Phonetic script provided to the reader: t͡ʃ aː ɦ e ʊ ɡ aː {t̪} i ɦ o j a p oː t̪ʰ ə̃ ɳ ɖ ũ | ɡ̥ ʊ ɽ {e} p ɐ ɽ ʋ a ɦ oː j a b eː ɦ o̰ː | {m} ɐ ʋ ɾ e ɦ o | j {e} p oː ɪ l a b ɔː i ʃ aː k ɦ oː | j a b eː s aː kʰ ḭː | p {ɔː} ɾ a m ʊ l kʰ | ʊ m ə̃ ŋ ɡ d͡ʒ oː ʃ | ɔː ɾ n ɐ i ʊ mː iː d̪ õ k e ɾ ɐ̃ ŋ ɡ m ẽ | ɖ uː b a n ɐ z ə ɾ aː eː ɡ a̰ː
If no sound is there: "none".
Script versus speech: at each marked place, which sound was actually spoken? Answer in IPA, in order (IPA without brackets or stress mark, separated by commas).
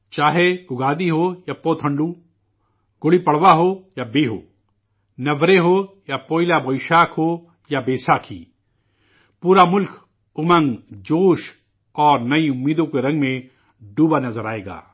d̪, i, n, a, uː